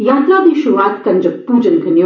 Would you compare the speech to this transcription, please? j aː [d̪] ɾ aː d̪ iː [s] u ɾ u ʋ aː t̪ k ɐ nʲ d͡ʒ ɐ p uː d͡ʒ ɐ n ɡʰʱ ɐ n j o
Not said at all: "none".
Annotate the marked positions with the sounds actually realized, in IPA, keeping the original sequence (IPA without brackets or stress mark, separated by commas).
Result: t̪, ʃ